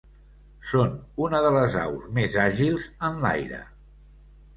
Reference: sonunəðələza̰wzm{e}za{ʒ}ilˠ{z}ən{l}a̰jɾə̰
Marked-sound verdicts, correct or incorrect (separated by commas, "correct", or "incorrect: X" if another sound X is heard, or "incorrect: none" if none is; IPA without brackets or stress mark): correct, correct, correct, correct